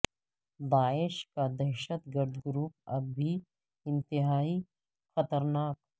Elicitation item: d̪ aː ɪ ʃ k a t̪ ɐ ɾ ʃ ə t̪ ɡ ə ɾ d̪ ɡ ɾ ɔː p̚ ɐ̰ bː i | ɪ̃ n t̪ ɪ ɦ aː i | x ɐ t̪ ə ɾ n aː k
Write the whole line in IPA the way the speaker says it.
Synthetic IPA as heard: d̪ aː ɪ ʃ k a d̪ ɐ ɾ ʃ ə t̪ ɡ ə ɾ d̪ ɡ ɾ uː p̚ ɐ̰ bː i | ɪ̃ n t̪ ɪ ɦ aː i | x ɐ t̪ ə ɾ n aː k